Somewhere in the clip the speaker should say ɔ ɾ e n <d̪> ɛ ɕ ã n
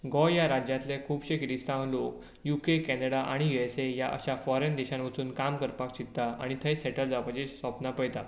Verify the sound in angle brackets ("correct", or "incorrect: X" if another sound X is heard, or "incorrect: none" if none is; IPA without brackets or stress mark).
correct